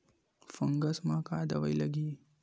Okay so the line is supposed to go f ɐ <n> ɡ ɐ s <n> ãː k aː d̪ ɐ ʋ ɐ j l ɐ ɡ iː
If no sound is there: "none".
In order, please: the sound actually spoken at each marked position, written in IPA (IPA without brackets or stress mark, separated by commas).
ŋ, m